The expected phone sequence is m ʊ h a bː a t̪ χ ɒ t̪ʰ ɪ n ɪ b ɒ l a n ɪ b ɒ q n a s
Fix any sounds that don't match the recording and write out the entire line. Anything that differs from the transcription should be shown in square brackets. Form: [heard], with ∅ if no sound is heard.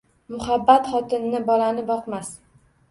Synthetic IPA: m ʊ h a bː a t̪ χ ɒ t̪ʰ ɪ [nː] ɪ b ɒ l a n ɪ b ɒ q [m] a s